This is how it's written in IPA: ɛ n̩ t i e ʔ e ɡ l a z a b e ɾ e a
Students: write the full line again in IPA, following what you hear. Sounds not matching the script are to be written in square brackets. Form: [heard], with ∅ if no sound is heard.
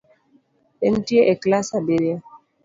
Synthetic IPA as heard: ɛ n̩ t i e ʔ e [k] l a [s] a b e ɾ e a